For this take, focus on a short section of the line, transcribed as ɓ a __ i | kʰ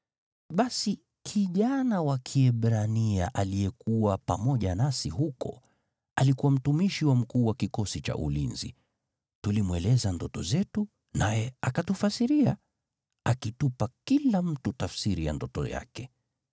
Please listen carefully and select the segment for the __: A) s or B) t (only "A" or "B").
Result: A